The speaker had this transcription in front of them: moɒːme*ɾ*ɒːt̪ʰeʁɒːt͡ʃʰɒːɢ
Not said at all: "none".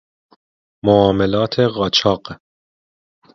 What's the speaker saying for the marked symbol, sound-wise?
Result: l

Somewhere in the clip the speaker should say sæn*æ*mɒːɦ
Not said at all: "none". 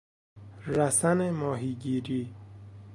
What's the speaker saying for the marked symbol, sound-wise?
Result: e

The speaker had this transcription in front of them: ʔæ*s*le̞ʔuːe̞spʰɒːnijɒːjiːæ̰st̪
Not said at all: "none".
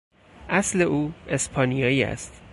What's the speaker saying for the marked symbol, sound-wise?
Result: s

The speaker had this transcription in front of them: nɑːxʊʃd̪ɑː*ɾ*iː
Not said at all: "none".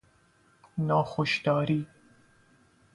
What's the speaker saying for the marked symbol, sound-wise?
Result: ɾ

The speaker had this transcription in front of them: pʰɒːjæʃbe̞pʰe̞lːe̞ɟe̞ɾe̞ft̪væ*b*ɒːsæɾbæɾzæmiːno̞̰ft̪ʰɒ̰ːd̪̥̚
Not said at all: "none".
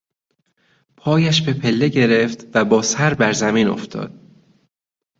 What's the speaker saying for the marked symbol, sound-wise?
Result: b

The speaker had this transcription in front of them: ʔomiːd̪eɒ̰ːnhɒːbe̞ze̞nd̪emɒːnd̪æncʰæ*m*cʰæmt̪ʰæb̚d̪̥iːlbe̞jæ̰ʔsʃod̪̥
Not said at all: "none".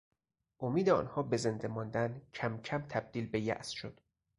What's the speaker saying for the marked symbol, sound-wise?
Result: m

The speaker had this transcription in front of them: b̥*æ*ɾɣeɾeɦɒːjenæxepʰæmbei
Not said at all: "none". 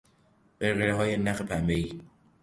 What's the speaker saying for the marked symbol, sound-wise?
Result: e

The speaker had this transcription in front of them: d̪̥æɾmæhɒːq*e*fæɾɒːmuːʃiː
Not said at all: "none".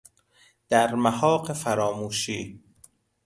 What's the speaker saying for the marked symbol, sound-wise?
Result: e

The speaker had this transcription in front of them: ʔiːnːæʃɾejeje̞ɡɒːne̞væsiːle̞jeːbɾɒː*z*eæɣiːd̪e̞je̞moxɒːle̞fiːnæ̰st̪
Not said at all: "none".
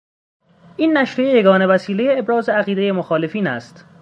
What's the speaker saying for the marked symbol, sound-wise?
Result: z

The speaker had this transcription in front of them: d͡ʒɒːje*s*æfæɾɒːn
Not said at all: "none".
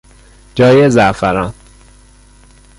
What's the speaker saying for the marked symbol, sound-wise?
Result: z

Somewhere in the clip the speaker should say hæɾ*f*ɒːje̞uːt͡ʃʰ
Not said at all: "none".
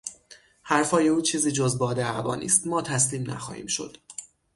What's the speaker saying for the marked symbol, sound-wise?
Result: f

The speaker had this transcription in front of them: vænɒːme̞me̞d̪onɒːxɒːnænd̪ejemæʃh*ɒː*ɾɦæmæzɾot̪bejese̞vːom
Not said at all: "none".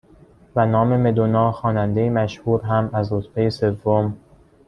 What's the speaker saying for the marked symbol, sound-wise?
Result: uː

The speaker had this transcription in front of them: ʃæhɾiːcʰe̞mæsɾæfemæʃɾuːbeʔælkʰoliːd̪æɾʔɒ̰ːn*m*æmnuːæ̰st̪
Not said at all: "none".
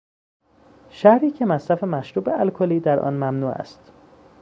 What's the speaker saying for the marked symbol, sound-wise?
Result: m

